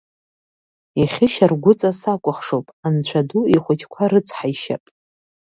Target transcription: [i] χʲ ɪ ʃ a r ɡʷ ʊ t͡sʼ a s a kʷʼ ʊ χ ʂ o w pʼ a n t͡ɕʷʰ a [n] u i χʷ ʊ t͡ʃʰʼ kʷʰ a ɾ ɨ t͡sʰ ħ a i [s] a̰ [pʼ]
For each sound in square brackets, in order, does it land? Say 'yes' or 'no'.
yes, no, no, yes

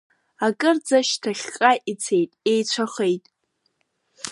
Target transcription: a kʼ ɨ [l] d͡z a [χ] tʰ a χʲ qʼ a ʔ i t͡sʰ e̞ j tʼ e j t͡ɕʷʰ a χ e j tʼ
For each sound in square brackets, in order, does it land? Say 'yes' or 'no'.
no, no

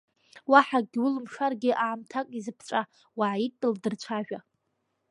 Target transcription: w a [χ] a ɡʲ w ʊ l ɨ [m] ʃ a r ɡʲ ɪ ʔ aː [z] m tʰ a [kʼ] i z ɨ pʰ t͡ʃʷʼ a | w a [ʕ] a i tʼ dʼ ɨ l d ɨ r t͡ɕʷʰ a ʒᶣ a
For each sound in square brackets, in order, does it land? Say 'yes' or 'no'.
no, yes, no, yes, yes

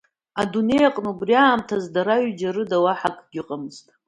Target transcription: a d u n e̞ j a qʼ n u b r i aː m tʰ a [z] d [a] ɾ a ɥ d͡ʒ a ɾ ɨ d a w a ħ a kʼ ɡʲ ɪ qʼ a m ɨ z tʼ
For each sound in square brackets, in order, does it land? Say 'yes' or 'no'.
yes, yes

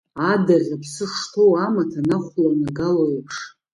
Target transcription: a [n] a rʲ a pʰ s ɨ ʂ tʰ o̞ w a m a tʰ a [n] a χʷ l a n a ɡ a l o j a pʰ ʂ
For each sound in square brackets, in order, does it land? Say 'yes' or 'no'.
no, yes

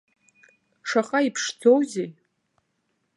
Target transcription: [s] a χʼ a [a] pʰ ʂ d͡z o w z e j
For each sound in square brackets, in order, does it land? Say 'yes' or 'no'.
no, no

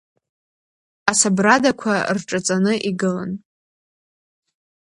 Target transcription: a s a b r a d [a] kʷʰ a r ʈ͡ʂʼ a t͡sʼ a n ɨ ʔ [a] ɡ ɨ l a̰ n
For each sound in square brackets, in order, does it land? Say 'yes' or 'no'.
yes, no

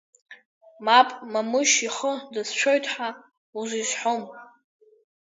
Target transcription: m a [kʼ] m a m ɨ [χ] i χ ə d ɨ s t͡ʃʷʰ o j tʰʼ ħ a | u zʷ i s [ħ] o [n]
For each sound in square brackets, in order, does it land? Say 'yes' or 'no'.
no, no, yes, no

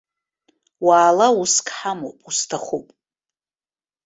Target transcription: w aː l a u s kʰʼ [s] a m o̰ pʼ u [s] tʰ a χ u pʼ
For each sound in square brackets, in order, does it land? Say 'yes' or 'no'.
no, yes

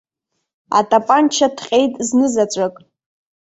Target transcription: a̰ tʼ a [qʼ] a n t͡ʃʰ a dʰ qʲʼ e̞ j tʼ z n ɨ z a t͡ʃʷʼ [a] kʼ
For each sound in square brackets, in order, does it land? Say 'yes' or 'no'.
no, yes

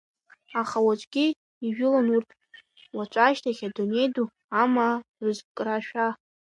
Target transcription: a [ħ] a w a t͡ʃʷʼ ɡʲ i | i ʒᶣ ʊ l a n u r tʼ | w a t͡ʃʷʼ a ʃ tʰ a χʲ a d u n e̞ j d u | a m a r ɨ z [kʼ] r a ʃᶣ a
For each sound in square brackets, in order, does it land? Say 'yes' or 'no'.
no, yes

